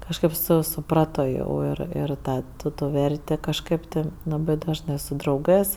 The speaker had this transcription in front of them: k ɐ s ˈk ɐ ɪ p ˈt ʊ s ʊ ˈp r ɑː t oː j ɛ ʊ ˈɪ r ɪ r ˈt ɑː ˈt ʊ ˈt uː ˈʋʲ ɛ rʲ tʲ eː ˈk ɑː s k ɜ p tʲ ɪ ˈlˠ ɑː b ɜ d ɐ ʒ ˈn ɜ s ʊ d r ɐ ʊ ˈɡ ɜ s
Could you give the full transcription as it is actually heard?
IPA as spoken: k ɐ ʃ ˈk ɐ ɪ p ˈs ʊ s ʊ ˈp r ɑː t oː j ɛ ʊ ˈɪ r ɪ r ˈt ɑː ˈt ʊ ˈt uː ˈʋʲ ɛ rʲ tʲ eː ˈk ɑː ʃ k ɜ p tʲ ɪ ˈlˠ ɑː b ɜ d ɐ ʒ ˈn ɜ s ʊ d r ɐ ʊ ˈɡ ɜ s